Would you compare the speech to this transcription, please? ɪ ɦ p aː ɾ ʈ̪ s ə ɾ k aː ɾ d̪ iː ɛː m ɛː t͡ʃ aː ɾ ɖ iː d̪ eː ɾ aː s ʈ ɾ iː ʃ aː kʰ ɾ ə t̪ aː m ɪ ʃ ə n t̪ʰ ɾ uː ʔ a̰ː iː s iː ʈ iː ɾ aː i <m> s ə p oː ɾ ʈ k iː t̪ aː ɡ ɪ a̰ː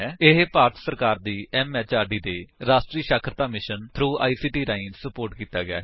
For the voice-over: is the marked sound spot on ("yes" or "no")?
no